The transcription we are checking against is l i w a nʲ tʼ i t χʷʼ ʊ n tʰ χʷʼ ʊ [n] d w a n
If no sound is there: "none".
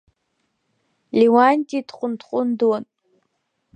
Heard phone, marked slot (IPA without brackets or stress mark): n